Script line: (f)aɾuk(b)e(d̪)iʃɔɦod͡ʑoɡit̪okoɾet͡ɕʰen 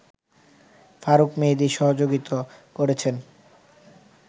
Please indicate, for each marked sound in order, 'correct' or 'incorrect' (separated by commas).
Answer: correct, incorrect, correct